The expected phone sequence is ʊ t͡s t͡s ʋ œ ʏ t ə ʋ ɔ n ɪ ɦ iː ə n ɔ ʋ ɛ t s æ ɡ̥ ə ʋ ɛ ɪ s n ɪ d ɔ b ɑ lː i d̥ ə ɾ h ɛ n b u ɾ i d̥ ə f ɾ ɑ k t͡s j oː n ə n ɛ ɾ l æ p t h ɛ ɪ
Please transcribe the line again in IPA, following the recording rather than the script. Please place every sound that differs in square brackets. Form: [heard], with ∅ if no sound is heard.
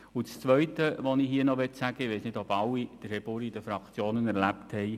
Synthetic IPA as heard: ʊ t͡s t͡s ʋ œ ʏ t ə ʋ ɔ n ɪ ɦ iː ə n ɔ ʋ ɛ t s æ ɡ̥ ə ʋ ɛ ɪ s n ɪ d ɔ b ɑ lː i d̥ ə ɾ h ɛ [∅] b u ɾ i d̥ ə f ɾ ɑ k t͡s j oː n ə n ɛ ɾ l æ p t h ɛ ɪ